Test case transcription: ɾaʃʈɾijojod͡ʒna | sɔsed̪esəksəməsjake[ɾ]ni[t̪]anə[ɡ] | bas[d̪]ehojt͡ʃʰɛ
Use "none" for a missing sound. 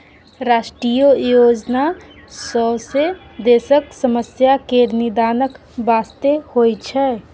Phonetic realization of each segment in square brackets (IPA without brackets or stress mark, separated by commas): ɾ, d̪, k, t̪